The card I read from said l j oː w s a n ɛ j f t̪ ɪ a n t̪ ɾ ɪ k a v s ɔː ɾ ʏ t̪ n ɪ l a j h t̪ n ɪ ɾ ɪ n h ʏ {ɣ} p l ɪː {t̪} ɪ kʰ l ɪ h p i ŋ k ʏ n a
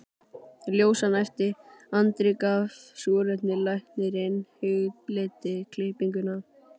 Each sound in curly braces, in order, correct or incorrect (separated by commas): correct, correct